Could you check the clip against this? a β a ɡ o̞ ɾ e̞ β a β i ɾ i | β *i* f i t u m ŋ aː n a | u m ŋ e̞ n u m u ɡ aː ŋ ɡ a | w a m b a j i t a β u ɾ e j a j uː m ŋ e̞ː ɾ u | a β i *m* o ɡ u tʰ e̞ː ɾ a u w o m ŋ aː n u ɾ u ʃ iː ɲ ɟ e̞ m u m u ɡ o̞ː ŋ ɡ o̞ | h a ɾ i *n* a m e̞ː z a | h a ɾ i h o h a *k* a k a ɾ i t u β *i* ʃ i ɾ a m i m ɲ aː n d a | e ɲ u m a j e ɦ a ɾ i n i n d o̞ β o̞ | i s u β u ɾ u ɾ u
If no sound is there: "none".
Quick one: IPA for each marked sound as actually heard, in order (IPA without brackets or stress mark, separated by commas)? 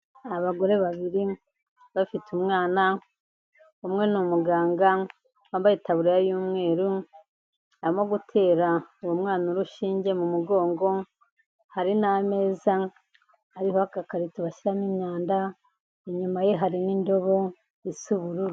a, m, n, k, a